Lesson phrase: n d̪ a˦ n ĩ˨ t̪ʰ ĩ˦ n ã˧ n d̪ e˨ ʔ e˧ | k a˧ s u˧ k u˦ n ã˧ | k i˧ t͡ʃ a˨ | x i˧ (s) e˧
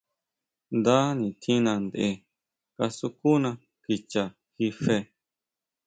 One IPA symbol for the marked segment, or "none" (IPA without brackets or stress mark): f